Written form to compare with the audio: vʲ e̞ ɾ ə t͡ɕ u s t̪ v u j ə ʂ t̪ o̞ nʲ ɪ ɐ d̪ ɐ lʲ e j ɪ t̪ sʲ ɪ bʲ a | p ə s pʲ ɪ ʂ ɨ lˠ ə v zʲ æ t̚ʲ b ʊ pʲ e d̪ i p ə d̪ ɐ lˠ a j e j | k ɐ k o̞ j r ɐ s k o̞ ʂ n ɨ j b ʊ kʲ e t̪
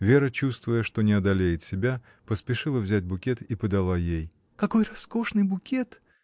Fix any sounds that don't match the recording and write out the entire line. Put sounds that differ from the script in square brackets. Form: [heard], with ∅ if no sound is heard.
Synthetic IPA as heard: vʲ e̞ ɾ ə t͡ɕ u s t̪ v [ʊ] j ə ʂ t̪ o̞ nʲ ɪ ɐ d̪ ɐ lʲ e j ɪ t̪ sʲ ɪ bʲ a | p ə s pʲ ɪ ʂ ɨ lˠ ə v zʲ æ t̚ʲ b ʊ [kʲ] e [t̪] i p ə d̪ ɐ lˠ a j e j | k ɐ k o̞ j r ɐ s k o̞ ʂ n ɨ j b ʊ kʲ e t̪